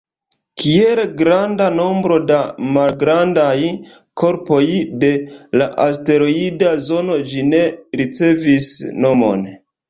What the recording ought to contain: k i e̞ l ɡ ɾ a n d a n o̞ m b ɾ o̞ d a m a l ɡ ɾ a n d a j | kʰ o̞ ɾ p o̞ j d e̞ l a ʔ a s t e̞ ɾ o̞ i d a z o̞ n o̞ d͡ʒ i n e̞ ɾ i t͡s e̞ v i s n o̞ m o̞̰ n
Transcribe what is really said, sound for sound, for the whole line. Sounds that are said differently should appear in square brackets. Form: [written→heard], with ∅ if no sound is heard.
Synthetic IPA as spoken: k i e̞ l ɡ ɾ a n d a n o̞ m b ɾ o̞ d a m a l ɡ ɾ a n d a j | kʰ o̞ ɾ p o̞ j d e̞ l a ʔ a s t e̞ ɾ o̞ i d a z o̞ n o̞ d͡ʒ i n e̞ ɾ i t͡s e̞ v i s n o̞ m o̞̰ n